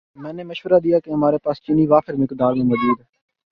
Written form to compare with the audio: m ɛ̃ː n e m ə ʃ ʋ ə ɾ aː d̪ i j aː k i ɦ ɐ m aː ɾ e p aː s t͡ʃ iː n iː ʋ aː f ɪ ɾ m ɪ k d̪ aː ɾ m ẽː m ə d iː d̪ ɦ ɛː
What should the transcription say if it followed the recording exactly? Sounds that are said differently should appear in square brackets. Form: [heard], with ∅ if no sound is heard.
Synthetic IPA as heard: m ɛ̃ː n e m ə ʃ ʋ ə ɾ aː d̪ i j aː k [e] ɦ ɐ m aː ɾ e p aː s t͡ʃ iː n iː ʋ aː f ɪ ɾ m ɪ k d̪ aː ɾ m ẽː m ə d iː d̪ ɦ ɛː